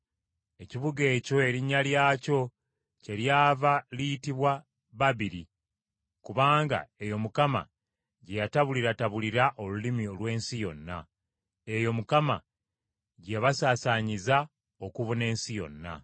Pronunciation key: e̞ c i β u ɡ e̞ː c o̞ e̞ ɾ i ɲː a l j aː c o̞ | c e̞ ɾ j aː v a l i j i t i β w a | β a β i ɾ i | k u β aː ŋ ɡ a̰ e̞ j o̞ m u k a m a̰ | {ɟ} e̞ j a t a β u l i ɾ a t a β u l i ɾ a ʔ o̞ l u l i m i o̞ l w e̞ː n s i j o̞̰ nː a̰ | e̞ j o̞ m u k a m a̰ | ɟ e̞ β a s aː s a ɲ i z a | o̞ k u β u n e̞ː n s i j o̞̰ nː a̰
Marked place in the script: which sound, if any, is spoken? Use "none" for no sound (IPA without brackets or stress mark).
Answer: ɟ